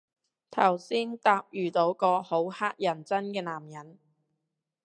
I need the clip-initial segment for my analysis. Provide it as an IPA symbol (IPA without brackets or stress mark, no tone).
t̪ʰ